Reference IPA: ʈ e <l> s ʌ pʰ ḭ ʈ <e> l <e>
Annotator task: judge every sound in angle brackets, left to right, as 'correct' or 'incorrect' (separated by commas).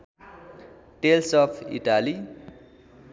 correct, incorrect, incorrect